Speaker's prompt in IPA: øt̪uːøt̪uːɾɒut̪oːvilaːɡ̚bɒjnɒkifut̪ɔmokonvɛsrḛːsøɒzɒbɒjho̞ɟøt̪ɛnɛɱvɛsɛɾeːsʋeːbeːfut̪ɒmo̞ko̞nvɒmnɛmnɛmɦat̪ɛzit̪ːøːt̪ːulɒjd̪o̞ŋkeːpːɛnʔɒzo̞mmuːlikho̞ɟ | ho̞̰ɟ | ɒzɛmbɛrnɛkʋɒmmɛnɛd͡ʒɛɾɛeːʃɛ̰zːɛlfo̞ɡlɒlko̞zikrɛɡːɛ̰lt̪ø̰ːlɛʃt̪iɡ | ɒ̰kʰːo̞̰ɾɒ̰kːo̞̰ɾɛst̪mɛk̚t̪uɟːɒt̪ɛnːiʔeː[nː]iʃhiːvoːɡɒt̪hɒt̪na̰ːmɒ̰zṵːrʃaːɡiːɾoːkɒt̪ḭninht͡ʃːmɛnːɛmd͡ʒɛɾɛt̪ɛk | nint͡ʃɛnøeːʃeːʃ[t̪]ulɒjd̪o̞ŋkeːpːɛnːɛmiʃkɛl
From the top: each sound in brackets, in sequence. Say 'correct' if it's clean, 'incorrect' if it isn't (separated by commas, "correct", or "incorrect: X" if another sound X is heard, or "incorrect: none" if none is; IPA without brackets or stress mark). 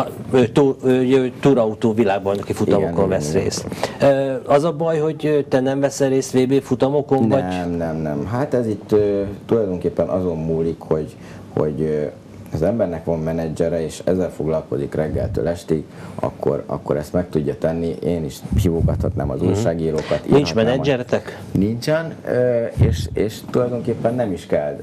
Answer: incorrect: n, correct